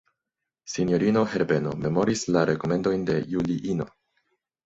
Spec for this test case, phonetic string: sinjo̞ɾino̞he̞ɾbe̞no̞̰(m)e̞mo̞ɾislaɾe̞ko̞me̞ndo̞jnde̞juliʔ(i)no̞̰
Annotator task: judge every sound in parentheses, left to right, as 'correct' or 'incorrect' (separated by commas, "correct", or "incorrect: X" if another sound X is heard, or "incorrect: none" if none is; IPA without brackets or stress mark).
correct, correct